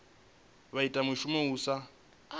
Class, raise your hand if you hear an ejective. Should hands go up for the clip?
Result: yes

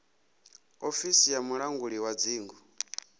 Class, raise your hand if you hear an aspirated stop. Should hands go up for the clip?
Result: no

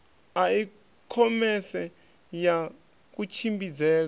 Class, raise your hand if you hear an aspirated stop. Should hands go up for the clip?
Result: yes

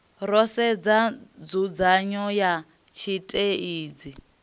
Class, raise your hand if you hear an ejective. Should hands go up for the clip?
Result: yes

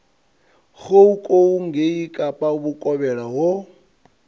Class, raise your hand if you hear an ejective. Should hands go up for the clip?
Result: yes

